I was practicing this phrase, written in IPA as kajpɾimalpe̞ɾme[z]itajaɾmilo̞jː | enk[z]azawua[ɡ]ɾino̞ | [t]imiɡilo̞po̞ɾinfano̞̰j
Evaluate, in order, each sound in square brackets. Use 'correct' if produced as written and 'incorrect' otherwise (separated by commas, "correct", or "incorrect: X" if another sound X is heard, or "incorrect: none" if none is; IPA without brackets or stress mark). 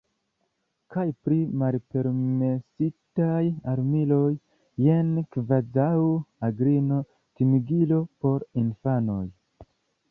incorrect: s, incorrect: v, correct, correct